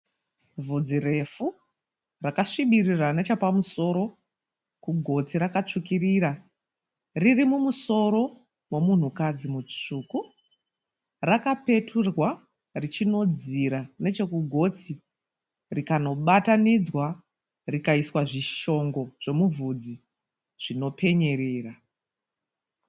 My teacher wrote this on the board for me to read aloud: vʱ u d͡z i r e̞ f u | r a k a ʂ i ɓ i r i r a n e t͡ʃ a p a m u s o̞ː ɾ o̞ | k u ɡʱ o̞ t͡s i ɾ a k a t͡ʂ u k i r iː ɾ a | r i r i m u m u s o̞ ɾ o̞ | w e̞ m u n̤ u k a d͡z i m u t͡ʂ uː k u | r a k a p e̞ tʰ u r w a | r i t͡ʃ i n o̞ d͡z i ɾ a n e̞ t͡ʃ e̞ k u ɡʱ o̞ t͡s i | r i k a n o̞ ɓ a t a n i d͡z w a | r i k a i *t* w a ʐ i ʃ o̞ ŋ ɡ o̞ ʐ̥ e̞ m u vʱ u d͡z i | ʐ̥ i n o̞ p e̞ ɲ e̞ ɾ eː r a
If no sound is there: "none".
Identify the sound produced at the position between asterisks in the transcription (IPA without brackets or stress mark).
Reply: s